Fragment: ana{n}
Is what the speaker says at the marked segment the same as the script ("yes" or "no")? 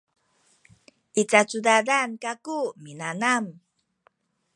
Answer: no